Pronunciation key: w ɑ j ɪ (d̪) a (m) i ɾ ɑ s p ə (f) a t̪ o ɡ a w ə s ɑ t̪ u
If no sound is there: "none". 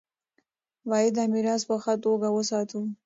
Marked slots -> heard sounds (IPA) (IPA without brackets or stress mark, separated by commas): d̪, m, x